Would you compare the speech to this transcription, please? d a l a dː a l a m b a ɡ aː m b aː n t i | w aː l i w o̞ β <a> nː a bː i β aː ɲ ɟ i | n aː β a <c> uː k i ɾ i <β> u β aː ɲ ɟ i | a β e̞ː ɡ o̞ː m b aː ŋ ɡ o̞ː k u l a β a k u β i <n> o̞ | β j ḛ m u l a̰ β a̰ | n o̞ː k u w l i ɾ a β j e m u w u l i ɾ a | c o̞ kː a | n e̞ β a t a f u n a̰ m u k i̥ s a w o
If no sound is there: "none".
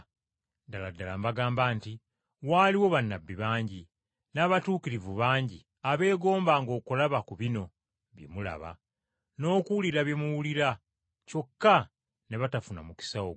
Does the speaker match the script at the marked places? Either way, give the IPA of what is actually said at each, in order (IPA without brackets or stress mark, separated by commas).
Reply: a, t, v, n